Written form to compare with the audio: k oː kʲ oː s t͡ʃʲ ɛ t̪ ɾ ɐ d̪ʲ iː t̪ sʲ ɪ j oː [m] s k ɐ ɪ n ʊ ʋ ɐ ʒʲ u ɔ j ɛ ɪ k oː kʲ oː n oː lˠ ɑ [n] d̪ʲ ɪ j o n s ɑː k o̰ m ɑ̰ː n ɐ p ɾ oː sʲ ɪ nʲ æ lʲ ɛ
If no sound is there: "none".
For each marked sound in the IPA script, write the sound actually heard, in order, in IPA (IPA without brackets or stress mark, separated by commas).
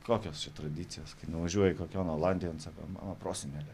none, n